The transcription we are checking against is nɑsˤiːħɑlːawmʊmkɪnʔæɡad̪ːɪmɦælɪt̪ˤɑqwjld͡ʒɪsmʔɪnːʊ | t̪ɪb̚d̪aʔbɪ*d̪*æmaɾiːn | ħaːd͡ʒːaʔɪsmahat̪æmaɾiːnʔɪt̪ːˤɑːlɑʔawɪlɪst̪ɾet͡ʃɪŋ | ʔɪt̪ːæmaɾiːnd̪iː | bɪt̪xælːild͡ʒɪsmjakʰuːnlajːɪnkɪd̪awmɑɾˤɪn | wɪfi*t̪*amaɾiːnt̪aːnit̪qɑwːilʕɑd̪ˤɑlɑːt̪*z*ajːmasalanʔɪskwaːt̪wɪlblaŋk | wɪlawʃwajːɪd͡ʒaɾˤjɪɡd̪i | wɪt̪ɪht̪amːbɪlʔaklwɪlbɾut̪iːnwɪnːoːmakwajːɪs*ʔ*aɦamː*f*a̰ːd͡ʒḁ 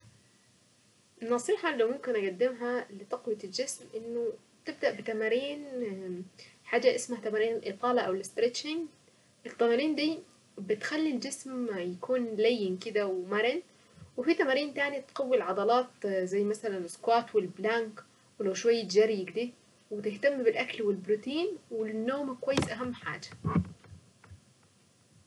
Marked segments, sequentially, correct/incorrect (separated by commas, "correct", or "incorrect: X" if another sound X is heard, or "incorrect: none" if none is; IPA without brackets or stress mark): incorrect: t̪, correct, correct, correct, incorrect: ħ